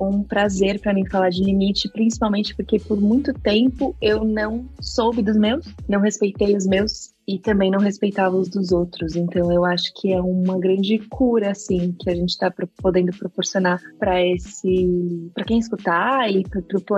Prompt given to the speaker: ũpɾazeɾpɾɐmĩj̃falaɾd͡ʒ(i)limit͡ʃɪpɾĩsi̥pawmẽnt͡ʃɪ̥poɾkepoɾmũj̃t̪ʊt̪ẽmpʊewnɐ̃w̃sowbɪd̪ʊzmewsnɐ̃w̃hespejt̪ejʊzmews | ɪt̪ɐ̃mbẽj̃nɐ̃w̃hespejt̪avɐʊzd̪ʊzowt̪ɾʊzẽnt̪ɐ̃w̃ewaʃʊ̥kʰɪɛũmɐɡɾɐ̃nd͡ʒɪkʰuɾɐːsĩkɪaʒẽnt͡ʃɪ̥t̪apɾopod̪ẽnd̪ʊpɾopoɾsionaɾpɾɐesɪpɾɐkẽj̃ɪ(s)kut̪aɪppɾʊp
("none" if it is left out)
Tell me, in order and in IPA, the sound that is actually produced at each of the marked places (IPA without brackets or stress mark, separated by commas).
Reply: ɪ, s